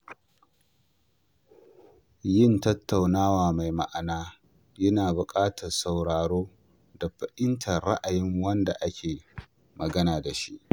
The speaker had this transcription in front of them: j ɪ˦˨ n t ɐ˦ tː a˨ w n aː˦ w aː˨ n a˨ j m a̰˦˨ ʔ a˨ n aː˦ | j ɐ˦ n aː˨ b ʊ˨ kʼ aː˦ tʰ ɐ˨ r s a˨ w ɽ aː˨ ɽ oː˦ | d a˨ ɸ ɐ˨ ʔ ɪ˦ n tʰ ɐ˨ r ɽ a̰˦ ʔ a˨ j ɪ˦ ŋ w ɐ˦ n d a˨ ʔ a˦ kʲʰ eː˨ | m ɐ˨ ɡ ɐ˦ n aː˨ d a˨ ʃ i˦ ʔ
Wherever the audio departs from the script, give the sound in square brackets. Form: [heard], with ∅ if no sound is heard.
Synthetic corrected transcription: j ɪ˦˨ n t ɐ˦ tː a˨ w n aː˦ w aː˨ [m] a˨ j m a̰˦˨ ʔ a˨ n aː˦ | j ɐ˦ n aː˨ b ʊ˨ kʼ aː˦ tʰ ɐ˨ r s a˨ w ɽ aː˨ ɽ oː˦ | d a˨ ɸ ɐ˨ ʔ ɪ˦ n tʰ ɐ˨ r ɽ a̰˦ ʔ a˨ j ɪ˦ ŋ w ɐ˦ n d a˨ ʔ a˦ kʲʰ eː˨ | m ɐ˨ ɡ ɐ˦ n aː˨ d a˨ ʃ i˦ ʔ